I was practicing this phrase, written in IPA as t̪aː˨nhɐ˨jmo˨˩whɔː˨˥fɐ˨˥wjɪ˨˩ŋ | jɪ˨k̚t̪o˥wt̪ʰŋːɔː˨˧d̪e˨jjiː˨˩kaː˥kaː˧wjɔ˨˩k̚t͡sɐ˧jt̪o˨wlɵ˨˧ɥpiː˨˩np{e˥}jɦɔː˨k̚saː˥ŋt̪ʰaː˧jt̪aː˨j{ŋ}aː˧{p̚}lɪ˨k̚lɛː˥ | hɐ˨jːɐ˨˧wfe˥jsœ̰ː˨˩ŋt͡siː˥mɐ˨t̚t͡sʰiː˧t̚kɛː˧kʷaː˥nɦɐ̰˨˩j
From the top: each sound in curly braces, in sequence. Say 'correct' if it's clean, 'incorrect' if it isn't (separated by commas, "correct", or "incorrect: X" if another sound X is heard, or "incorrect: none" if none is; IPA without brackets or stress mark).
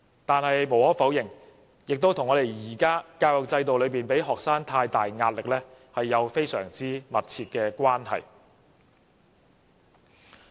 incorrect: e˨˥, correct, incorrect: t̚